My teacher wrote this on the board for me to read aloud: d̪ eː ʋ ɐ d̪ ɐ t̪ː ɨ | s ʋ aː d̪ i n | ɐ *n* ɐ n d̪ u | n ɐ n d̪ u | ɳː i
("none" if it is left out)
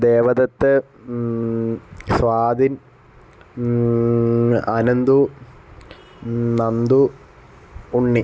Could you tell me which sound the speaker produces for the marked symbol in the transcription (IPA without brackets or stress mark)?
n